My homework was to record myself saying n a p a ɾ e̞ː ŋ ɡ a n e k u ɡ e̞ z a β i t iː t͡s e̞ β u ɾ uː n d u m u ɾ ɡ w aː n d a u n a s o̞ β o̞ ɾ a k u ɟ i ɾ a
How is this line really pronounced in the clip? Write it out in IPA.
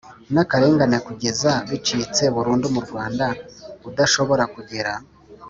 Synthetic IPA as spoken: n a k a ɾ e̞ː ŋ ɡ a n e k u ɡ e̞ z a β i t͡ʃ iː t͡s e̞ β u ɾ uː n d u m u ɾ ɡ w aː n d a u d a ʃ o̞ β o̞ ɾ a k u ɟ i ɾ a